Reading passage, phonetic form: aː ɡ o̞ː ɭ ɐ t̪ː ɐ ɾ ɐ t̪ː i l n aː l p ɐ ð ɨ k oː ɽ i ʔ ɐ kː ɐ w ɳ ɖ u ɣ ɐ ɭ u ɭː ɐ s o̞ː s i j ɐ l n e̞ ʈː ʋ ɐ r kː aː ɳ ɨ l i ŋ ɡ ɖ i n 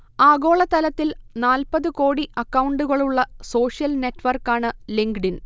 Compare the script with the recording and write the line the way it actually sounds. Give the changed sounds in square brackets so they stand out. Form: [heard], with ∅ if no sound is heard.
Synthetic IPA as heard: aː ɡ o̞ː ɭ ɐ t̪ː ɐ [l] ɐ t̪ː i l n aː l p ɐ ð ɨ k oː ɽ i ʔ ɐ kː ɐ w ɳ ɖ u ɣ ɐ ɭ u ɭː ɐ s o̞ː [ʂ] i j ɐ l n e̞ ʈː ʋ ɐ r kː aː ɳ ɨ l i ŋ ɡ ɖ i n